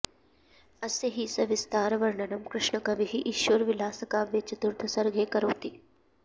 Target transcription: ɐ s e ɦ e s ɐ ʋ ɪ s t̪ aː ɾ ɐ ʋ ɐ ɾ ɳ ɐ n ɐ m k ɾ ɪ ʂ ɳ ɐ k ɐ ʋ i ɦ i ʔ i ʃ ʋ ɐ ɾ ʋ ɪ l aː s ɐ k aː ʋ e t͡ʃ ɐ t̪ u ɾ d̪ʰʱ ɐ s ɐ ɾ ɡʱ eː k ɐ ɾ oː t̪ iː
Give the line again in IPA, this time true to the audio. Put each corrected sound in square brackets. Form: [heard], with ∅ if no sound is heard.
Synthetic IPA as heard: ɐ s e ɦ [i] s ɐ ʋ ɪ s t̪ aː ɾ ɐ ʋ ɐ ɾ ɳ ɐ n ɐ m k ɾ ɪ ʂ ɳ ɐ k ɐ ʋ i ɦ i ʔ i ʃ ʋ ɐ ɾ ʋ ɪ l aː s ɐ k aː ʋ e t͡ʃ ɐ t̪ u ɾ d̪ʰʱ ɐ s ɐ ɾ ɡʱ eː k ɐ ɾ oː t̪ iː